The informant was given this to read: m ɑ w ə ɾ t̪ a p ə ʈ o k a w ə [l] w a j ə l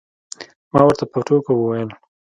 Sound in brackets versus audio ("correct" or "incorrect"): incorrect